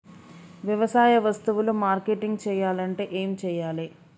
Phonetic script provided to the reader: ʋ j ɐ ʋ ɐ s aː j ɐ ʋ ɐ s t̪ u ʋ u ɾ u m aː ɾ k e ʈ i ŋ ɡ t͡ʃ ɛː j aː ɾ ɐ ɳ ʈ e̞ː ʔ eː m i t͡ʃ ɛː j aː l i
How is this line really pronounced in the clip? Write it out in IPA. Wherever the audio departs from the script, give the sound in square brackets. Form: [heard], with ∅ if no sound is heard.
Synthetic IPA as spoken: ʋ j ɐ ʋ ɐ s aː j ɐ ʋ ɐ s t̪ u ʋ u [l] u m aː ɾ k e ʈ i ŋ ɡ t͡ʃ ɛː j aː [l] ɐ ɳ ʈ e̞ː ʔ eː m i t͡ʃ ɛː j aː l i